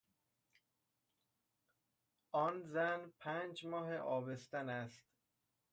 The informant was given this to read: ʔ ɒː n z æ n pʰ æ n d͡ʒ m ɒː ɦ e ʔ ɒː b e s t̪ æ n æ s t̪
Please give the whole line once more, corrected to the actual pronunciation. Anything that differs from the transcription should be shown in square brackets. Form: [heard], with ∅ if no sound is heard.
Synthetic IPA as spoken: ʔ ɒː n z æ n pʰ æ n d͡ʒ m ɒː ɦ e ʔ ɒː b e s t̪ æ n æ s t̪